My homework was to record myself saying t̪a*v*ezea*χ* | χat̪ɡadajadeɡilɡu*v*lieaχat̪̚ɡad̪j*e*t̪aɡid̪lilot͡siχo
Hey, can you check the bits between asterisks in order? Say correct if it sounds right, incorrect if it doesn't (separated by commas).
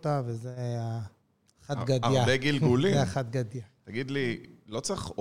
correct, incorrect, incorrect, incorrect